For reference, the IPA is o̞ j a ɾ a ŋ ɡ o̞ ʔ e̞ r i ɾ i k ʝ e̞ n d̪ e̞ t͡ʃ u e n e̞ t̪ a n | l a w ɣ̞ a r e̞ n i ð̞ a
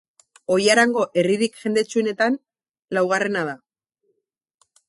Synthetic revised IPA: o̞ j a ɾ a ŋ ɡ o̞ ʔ e̞ r i ɾ i k ʝ e̞ n d̪ e̞ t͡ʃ u e n e̞ t̪ a n | l a w ɣ̞ a r e̞ n a ð̞ a